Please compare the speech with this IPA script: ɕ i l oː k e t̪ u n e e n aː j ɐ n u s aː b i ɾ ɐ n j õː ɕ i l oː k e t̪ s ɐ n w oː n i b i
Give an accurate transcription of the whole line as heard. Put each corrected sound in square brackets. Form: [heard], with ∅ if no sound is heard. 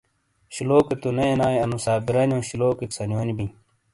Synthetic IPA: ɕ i l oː k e t̪ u n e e n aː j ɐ n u s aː b i ɾ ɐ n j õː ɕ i l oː k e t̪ s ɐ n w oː n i b i

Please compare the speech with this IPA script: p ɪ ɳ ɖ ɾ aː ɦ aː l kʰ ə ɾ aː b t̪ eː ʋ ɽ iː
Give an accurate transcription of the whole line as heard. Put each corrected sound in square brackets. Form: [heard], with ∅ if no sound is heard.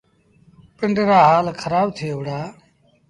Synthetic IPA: p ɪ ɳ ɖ ɾ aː ɦ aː l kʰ ə ɾ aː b [t̪ʰ] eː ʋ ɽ [aː]

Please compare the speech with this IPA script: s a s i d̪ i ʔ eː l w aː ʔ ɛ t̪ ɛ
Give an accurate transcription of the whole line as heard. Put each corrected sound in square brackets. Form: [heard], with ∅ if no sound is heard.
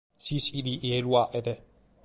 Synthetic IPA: s [i] s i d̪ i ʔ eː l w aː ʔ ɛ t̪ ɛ

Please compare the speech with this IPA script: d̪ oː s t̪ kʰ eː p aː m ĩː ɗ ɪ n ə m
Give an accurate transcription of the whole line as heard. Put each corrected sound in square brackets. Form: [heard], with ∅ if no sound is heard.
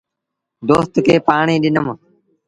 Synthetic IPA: d̪ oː s t̪ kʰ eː p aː [ɳ] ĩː ɗ ɪ n ə m

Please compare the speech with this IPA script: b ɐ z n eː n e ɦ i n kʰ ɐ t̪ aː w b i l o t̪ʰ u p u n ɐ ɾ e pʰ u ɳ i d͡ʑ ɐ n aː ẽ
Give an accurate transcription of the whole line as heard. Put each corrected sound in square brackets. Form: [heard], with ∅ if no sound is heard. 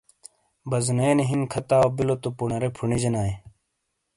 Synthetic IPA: b ɐ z n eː n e ɦ i n kʰ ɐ t̪ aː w b i l o [t̪] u p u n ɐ ɾ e pʰ u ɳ i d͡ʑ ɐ n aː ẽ

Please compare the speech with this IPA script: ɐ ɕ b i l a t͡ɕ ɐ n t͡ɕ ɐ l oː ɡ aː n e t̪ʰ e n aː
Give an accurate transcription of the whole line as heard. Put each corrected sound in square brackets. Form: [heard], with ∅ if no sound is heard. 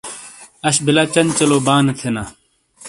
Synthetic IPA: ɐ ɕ b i l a t͡ɕ ɐ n t͡ɕ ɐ l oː [b] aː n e t̪ʰ e n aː

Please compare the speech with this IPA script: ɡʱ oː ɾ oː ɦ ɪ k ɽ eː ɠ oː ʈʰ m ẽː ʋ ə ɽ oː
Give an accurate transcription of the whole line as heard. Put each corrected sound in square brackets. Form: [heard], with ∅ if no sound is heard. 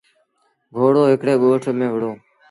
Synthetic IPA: ɡʱ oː [ɽ] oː ɦ ɪ k ɽ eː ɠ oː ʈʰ m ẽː ʋ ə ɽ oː

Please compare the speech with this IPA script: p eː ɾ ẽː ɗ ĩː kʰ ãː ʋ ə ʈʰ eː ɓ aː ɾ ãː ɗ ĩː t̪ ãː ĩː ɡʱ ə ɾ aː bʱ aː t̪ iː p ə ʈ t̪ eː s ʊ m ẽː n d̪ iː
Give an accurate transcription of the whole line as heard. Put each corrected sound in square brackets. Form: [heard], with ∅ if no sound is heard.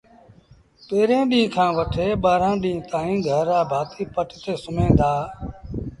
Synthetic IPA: p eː ɾ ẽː ɗ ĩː kʰ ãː ʋ ə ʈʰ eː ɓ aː ɾ ãː ɗ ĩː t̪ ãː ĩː ɡʱ ə ɾ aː bʱ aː t̪ iː p ə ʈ t̪ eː s ʊ m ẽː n d̪ [aː]

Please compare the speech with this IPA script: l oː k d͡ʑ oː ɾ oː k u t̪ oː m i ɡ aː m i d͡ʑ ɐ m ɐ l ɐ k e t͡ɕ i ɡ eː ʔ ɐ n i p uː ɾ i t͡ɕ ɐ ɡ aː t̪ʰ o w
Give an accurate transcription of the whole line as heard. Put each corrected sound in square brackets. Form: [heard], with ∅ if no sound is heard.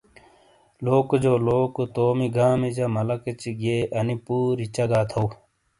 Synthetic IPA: l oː k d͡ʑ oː [l] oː k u t̪ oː m i ɡ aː m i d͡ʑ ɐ m ɐ l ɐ k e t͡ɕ i ɡ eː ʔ ɐ n i p uː ɾ i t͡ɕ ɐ ɡ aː t̪ʰ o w

